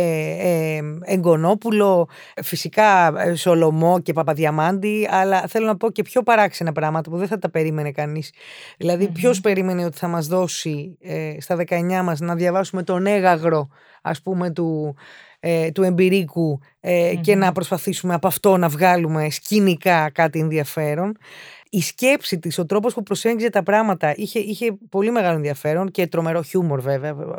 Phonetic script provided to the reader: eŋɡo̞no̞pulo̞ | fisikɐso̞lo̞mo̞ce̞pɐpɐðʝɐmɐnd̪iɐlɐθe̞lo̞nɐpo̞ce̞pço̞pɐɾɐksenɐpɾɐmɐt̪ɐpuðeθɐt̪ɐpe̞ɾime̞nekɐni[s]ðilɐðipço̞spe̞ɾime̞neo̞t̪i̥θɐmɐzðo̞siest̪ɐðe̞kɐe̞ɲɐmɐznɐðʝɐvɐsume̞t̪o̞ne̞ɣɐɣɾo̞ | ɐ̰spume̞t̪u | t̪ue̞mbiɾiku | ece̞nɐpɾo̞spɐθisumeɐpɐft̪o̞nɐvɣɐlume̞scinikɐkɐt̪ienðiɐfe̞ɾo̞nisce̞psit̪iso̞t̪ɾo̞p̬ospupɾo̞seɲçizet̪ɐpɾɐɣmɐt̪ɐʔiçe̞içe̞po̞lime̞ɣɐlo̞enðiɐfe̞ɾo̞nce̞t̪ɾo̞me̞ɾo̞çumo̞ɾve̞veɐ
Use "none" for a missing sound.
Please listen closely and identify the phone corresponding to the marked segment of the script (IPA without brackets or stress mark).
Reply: s